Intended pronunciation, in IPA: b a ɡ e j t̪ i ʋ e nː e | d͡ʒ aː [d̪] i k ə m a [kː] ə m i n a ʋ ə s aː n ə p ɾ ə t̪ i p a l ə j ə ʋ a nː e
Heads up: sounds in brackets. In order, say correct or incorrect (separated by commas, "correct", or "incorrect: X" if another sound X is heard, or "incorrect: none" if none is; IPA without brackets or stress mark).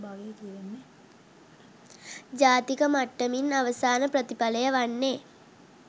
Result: incorrect: t̪, incorrect: ʈː